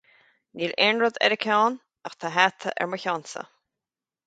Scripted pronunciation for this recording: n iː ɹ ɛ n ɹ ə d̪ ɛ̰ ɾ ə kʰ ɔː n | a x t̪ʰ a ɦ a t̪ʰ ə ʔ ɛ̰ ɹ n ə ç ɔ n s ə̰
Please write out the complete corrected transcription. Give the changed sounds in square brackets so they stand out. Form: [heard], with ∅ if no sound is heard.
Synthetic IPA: n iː [l] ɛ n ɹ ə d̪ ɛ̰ ɾ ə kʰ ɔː n | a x t̪ʰ a ɦ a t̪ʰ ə ʔ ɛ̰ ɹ [m] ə ç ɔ n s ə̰